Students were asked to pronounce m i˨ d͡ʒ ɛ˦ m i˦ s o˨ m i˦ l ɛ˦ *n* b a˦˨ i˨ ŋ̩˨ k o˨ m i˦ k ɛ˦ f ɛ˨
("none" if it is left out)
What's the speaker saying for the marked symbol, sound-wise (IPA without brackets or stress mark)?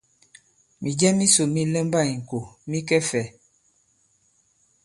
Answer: m